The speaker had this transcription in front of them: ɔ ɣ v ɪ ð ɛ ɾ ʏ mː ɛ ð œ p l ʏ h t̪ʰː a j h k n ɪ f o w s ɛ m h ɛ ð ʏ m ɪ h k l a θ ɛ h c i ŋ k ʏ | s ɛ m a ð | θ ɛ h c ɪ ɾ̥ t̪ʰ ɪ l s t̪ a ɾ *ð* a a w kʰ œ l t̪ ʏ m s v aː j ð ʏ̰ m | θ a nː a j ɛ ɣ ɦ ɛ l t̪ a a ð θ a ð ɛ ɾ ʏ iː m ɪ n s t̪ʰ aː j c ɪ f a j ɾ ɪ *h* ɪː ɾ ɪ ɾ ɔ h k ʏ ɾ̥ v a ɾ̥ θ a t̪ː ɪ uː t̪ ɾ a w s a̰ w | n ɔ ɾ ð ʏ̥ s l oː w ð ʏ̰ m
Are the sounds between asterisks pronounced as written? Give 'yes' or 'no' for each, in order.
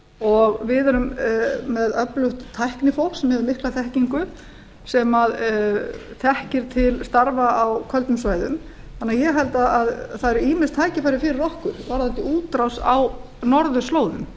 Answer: no, no

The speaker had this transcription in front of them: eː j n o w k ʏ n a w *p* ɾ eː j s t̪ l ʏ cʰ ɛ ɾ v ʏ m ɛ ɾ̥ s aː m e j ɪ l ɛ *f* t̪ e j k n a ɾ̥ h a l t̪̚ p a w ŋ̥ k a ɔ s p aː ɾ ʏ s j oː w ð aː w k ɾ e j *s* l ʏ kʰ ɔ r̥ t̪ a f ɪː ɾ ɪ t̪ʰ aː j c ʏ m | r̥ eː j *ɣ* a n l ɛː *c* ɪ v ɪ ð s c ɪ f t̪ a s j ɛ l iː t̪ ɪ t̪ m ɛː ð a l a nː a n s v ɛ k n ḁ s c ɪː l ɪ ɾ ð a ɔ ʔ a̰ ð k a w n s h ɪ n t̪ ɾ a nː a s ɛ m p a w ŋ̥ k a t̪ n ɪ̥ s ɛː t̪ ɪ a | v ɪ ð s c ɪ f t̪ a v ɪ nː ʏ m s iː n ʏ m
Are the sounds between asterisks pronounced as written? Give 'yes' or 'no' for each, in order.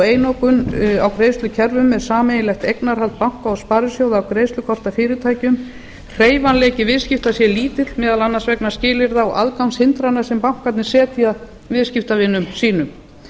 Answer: no, no, yes, no, yes

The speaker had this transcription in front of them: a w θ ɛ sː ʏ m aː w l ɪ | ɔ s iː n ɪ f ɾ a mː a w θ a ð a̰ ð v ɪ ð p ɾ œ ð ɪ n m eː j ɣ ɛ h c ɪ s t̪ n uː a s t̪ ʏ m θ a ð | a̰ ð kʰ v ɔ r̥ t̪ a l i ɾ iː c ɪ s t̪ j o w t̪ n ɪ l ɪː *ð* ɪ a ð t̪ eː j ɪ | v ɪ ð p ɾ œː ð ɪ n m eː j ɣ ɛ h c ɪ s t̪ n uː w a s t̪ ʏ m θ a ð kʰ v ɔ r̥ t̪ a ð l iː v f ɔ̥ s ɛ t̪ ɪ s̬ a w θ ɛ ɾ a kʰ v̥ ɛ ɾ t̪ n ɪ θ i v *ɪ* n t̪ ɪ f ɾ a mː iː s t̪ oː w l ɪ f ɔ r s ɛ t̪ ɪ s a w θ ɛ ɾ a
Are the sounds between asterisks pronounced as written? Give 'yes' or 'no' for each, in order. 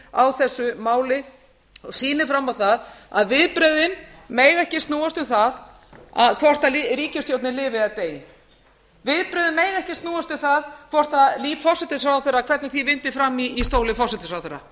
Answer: no, yes

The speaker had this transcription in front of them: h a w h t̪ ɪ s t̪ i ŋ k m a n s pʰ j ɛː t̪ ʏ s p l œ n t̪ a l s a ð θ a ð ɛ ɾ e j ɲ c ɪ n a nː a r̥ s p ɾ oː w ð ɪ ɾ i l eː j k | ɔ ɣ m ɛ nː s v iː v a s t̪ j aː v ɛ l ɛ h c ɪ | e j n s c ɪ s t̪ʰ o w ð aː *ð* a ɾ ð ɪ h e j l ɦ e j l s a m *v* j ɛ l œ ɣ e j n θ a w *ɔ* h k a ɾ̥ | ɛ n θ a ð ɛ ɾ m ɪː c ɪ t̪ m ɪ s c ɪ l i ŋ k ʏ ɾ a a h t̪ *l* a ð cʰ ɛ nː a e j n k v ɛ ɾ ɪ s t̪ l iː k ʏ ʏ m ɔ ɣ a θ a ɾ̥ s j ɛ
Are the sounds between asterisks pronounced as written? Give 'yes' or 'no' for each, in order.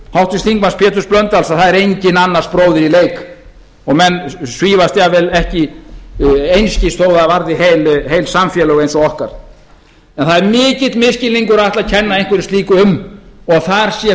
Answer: no, no, yes, yes

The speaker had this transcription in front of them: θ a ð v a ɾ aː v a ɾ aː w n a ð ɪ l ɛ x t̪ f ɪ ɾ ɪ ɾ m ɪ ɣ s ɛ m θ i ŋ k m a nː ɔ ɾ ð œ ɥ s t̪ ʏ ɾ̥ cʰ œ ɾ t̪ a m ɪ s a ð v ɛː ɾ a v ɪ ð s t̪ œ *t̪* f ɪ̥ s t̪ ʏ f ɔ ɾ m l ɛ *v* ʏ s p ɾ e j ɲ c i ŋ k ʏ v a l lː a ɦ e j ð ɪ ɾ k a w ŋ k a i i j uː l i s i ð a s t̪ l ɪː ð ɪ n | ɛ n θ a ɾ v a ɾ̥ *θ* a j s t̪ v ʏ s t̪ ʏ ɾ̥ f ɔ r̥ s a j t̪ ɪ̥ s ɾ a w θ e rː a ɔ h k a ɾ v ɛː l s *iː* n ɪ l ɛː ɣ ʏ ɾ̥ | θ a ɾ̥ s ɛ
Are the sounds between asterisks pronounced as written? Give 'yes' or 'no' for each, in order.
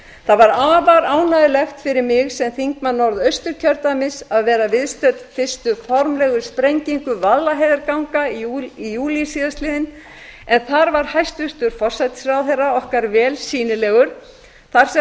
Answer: yes, no, no, yes

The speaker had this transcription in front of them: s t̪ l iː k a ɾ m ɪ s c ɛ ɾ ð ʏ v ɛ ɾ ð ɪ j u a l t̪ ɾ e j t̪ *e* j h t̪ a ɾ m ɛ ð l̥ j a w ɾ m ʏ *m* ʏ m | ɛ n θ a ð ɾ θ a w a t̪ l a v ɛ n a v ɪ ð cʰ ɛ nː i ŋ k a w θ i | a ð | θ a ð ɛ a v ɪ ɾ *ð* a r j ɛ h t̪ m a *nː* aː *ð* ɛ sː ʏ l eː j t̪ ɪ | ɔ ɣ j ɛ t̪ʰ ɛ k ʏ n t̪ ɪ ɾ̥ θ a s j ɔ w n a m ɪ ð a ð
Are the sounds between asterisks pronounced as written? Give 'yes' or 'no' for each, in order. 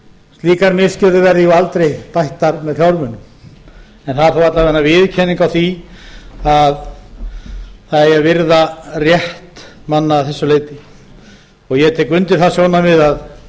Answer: no, no, yes, yes, no

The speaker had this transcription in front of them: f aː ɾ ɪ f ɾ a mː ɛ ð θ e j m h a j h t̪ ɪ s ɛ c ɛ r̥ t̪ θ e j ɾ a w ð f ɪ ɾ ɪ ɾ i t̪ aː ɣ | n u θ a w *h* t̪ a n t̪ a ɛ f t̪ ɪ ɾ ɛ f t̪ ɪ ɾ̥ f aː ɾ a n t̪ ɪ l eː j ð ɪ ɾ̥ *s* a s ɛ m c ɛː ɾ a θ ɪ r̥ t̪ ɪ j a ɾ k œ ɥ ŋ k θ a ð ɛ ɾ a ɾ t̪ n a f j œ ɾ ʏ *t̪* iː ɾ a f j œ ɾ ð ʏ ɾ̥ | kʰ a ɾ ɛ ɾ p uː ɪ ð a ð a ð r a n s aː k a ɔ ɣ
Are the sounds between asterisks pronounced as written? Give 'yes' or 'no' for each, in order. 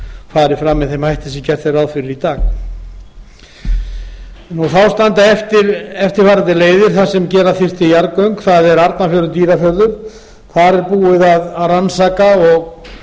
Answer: no, no, yes

